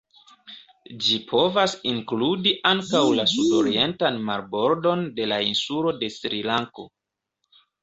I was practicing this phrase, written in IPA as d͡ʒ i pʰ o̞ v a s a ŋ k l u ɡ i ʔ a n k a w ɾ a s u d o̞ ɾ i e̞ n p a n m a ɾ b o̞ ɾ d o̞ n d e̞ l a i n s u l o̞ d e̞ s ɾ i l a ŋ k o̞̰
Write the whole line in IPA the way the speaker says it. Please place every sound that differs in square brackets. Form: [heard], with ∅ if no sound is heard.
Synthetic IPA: d͡ʒ i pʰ o̞ v a s [i] ŋ k l u [d] i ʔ a [ŋ] k a w [l] a s u d o̞ ɾ i e̞ n [t] a n m a ɾ b o̞ ɾ d o̞ n d e̞ l a i n s u l o̞ d e̞ s ɾ i l a ŋ k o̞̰